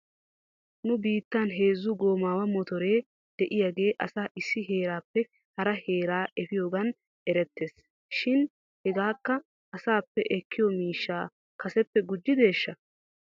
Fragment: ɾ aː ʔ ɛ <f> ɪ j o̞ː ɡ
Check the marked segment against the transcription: correct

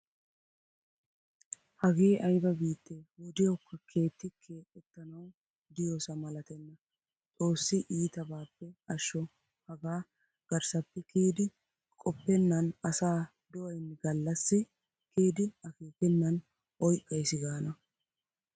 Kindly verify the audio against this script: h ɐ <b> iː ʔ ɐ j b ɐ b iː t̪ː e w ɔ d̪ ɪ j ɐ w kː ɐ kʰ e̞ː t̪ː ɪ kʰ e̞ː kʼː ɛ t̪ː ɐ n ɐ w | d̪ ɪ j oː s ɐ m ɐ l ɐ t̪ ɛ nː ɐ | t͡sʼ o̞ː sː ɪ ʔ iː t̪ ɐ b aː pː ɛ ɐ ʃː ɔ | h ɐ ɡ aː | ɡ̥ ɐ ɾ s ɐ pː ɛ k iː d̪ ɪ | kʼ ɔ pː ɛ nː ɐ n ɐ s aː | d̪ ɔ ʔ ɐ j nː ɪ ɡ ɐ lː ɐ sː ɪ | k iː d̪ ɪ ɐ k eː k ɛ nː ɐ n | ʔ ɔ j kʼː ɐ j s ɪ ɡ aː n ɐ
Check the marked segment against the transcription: incorrect: ɡ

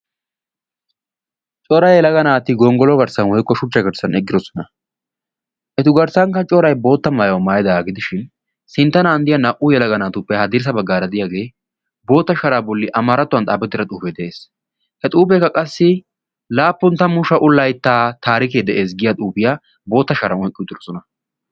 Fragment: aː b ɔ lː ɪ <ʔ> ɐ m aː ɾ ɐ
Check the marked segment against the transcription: correct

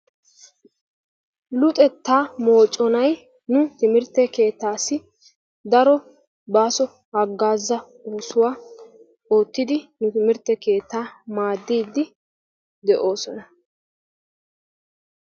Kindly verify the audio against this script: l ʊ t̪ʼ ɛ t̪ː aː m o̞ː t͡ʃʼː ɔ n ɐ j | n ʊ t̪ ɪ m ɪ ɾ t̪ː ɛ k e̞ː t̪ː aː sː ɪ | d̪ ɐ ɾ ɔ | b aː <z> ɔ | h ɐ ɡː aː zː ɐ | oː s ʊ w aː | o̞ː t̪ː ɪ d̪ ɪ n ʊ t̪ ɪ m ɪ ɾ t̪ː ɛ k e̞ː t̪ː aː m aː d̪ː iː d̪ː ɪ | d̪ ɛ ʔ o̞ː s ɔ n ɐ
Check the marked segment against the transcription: incorrect: s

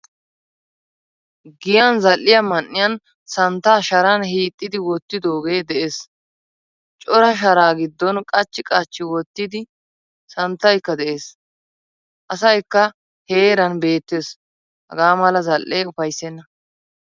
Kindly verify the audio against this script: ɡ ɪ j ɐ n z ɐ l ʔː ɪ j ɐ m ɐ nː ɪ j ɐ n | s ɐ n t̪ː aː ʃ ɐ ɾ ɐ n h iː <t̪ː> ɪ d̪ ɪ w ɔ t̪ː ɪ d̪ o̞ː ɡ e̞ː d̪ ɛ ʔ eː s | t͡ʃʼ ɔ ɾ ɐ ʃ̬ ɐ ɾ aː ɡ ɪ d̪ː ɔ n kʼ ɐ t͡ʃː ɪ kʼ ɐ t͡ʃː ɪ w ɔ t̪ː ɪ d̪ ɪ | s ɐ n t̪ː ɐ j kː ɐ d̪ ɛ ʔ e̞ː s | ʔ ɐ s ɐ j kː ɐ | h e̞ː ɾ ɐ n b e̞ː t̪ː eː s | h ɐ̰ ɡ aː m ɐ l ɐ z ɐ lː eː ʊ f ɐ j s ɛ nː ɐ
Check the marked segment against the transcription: incorrect: t̪ʼː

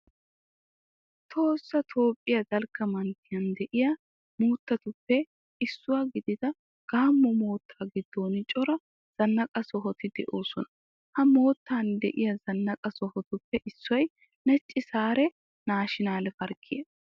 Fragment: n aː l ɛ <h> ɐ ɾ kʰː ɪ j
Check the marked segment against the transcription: incorrect: f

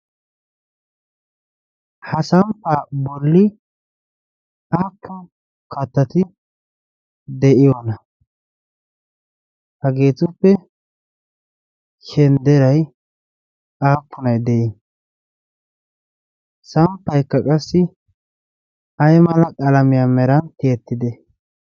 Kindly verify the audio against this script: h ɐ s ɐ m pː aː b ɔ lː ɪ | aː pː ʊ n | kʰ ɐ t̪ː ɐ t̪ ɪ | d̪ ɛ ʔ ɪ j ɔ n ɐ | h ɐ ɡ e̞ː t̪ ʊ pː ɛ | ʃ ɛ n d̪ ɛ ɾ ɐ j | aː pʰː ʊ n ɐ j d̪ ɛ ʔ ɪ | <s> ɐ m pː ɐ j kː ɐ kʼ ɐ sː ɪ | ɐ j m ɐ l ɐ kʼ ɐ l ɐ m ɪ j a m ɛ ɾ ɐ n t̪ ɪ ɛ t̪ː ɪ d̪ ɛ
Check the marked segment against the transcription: correct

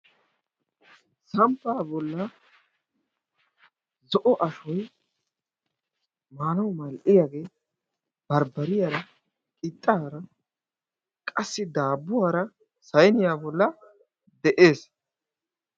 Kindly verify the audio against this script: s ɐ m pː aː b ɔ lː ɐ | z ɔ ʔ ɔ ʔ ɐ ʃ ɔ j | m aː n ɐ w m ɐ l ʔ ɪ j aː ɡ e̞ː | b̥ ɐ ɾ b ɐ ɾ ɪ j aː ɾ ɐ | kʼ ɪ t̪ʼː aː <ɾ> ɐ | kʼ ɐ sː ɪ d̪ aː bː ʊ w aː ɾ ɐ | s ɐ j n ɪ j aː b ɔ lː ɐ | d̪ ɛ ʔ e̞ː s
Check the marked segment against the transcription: correct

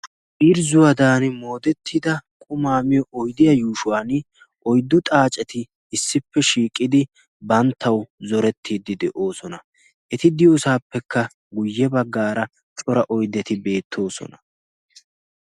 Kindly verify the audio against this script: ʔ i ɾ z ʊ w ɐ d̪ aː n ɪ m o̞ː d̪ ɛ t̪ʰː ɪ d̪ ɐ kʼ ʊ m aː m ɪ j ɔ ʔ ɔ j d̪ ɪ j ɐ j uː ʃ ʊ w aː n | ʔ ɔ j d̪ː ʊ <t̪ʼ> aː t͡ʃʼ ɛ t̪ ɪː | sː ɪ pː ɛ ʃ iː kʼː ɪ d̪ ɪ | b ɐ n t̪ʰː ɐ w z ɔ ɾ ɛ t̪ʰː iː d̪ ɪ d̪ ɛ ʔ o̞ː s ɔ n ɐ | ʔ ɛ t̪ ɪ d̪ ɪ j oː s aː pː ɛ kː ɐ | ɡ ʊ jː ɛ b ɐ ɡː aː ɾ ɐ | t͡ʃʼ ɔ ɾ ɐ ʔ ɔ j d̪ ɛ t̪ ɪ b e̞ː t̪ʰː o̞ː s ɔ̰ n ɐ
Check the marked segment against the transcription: correct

